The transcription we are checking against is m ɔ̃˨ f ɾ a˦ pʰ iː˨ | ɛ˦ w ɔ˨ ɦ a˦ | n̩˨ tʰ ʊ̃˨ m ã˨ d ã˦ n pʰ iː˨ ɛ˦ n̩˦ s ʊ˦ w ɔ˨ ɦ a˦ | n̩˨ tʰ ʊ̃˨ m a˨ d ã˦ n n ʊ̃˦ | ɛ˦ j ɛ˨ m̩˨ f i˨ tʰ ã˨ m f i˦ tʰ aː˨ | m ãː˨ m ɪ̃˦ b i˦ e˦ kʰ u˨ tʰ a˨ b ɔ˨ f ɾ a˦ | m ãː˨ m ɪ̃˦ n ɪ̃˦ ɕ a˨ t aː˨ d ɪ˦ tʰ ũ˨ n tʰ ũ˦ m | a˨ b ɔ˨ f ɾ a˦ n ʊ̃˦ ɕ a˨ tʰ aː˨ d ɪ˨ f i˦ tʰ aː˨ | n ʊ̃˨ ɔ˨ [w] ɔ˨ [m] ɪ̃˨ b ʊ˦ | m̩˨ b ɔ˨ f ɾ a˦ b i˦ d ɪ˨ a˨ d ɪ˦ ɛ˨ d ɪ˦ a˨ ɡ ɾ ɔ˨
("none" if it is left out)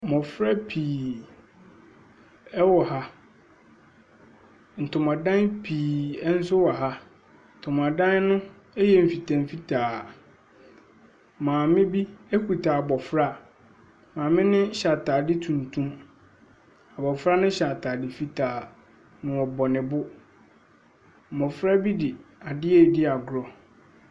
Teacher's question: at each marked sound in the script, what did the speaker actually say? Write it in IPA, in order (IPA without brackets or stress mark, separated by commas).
b, n